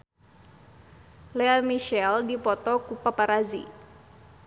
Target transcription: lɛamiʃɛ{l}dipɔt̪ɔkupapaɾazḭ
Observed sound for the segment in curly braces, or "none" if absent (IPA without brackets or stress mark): l